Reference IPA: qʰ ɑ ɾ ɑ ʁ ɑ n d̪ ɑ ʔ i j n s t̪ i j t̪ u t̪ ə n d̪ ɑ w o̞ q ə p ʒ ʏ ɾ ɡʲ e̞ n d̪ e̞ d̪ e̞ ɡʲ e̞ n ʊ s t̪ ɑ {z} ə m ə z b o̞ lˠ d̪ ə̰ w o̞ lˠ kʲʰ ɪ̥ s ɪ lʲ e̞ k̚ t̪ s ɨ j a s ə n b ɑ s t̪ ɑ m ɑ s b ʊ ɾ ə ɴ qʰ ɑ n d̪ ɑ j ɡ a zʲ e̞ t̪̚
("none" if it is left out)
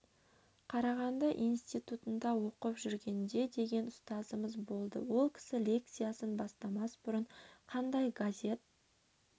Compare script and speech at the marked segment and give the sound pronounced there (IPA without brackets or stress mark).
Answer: z